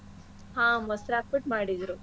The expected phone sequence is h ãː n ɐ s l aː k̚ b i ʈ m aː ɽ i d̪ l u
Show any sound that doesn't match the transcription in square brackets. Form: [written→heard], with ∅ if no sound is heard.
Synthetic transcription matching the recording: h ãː [n→m] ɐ s [l→ɾ] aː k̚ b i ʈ m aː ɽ i d̪ [l→ɾ] u